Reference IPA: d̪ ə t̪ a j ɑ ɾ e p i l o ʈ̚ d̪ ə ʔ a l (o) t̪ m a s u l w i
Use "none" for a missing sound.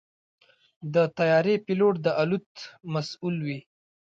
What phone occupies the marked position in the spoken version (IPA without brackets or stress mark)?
u